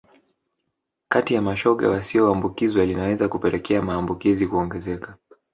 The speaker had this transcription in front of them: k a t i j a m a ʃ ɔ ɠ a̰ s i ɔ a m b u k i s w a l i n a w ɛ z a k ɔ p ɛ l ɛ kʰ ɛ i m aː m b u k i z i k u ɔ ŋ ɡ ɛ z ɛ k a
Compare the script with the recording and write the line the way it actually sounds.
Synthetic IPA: k a t i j a m a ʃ ɔ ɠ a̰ s i ɔ a m b u k i z w a l i n a w ɛ z a k u p ɛ l ɛ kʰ ɛ a m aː m b u k i z i k u ɔ ŋ ɡ ɛ z ɛ k a